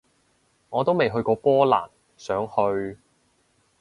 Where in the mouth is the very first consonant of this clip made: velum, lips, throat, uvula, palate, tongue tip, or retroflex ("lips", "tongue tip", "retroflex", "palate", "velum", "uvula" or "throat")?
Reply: velum